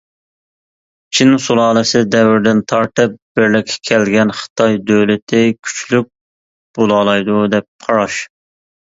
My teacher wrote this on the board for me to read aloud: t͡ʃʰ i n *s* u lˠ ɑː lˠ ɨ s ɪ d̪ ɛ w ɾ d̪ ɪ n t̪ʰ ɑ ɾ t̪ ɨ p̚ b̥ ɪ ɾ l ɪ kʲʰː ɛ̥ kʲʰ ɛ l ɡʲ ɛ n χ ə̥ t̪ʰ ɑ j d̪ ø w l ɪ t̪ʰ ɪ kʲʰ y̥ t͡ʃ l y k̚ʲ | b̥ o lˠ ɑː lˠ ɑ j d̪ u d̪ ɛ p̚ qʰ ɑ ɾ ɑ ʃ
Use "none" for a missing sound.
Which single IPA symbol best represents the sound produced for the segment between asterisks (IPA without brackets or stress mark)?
s